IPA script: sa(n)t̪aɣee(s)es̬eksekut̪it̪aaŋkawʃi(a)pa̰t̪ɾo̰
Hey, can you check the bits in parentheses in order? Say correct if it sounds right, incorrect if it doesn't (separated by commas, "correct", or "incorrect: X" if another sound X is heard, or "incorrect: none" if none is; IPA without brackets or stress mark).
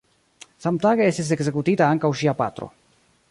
incorrect: m, correct, correct